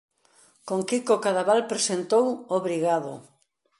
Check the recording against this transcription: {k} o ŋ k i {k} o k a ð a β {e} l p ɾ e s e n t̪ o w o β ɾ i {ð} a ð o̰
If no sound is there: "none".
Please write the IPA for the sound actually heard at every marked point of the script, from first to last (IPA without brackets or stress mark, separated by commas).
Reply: k, k, a, ɣ